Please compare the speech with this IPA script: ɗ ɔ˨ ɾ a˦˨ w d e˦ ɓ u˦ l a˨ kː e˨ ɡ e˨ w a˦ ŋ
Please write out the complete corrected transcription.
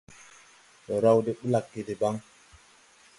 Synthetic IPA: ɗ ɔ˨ ɾ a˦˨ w d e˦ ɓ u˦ l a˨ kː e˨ d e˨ b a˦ ŋ